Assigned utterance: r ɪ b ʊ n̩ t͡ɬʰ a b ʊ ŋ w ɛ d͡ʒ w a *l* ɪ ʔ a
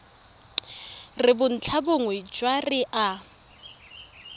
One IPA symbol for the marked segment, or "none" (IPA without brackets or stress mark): r